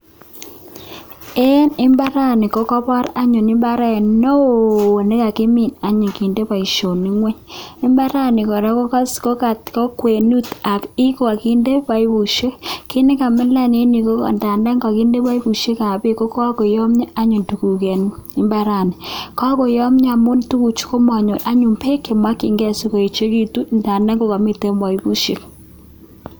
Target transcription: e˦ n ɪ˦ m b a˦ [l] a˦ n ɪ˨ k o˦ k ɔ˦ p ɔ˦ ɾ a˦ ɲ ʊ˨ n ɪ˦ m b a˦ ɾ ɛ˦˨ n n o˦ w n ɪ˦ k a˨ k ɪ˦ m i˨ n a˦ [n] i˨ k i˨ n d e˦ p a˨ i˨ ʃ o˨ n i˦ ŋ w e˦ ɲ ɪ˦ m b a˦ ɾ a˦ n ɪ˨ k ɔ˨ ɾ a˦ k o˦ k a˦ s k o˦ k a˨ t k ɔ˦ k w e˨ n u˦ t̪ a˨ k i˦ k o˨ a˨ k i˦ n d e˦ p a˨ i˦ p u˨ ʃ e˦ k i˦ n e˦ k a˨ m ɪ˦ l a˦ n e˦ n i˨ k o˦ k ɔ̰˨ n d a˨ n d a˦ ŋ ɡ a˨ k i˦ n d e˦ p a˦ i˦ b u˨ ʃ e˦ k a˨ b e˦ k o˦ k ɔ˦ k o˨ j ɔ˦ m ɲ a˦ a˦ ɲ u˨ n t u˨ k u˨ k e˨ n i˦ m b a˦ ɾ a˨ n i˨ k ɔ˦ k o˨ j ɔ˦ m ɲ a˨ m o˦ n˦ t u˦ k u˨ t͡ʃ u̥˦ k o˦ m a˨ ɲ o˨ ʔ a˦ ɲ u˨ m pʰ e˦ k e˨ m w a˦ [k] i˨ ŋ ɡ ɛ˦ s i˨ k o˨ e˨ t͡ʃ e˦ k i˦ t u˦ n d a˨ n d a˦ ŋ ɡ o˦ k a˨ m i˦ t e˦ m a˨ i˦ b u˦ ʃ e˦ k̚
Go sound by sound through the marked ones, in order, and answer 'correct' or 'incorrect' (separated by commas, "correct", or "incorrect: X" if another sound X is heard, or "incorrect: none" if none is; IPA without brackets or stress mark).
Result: incorrect: ɾ, incorrect: ɲ, correct